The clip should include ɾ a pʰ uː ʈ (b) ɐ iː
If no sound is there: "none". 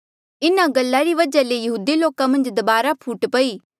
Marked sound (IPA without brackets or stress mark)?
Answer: p